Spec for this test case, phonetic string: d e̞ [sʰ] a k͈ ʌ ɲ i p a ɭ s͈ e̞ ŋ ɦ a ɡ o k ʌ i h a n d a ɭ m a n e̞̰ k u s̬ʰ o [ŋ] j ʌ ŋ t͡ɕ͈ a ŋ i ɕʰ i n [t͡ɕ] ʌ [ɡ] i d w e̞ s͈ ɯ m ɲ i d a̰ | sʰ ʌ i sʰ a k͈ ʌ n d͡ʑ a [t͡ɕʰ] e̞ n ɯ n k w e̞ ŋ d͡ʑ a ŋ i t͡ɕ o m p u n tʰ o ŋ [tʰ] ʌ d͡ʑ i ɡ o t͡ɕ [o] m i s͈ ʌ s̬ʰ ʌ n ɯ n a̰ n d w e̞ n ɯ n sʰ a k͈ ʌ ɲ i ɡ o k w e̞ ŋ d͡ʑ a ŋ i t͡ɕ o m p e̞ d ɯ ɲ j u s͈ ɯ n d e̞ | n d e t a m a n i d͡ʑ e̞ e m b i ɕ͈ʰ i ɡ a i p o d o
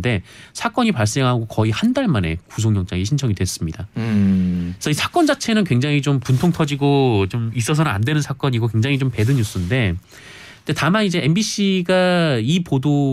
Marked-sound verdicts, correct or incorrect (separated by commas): correct, correct, incorrect, incorrect, correct, correct, correct